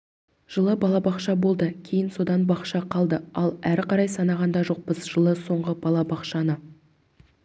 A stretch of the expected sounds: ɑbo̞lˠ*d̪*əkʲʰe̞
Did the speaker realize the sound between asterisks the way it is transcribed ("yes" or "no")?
yes